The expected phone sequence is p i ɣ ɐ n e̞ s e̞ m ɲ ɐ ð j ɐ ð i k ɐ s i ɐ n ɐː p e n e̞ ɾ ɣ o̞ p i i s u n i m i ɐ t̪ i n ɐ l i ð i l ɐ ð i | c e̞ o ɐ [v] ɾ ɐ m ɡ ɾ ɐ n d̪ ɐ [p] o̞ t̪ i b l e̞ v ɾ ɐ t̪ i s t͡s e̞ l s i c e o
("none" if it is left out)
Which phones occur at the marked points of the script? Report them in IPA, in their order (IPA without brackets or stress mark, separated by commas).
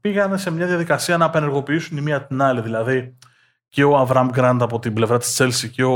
v, p